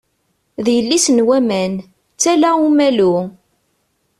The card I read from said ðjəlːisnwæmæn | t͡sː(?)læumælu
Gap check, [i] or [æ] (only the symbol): æ